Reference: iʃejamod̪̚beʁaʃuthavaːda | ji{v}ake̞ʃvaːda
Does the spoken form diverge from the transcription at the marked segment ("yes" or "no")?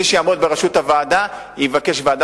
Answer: no